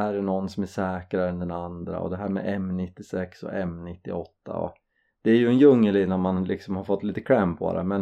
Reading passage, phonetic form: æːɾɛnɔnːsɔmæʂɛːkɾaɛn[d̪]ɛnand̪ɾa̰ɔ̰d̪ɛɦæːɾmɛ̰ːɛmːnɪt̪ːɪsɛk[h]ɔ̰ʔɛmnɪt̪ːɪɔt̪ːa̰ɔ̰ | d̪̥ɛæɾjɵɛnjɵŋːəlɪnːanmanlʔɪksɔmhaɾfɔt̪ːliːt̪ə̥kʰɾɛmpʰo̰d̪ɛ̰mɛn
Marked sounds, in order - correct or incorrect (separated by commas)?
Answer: correct, incorrect